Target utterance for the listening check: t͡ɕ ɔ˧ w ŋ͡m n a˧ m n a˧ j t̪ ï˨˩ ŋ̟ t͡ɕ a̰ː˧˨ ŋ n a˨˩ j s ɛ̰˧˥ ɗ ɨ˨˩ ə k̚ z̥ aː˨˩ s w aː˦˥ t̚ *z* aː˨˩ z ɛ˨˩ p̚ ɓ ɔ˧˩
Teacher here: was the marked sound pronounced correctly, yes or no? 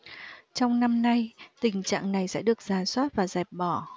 no